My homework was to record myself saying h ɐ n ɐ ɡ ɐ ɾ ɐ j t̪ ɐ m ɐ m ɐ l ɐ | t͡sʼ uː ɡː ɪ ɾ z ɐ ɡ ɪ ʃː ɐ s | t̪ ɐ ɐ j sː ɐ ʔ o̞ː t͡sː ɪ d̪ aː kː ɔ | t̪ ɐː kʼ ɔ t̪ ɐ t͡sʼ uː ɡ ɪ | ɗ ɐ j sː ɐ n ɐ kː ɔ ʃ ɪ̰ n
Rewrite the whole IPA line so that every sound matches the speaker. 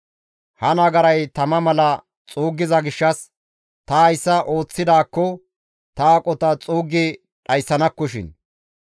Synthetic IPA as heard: h ɐ n ɐ ɡ ɐ ɾ ɐ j t̪ ɐ m ɐ m ɐ l ɐ | t͡sʼ uː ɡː ɪ z ɐ ɡ ɪ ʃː ɐ s | t̪ ɐ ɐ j sː ɐ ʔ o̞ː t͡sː ɪ d̪ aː kː ɔ | t̪ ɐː kʼ ɔ t̪ ɐ t͡sʼ uː ɡ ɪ | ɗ ɐ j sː ɐ n ɐ kː ɔ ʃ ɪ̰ n